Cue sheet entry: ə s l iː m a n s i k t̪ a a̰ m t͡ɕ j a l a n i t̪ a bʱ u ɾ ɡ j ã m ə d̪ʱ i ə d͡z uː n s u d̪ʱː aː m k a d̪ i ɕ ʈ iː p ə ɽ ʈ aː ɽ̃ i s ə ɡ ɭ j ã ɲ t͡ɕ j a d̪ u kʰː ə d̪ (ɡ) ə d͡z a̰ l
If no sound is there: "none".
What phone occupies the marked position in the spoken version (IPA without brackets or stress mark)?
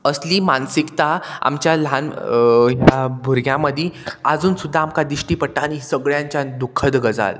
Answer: ɡ